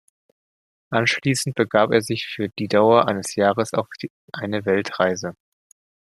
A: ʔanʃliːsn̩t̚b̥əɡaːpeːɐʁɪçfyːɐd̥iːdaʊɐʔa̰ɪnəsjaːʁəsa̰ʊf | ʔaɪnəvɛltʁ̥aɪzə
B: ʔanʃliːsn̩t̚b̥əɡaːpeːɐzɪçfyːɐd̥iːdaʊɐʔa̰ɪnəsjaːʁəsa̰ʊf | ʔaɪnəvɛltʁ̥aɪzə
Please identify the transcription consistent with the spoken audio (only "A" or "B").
B